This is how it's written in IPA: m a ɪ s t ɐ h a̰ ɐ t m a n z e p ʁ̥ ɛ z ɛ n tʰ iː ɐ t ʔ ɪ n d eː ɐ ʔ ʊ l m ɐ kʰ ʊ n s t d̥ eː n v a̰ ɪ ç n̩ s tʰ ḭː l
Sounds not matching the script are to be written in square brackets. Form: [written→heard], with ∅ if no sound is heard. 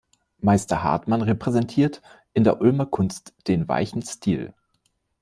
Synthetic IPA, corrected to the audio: m a ɪ s t ɐ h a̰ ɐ t m a n [z→ʁ] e p ʁ̥ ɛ z ɛ n tʰ iː ɐ t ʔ ɪ n d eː ɐ ʔ ʊ l m ɐ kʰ ʊ n s t d̥ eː n v a̰ ɪ ç n̩ s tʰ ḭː l